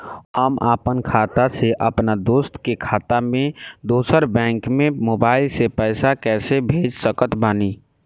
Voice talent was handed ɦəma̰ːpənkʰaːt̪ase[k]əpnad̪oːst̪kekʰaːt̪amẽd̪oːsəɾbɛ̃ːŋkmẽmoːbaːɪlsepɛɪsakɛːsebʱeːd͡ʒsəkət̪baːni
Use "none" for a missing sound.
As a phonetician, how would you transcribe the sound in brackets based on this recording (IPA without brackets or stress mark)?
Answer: ʔ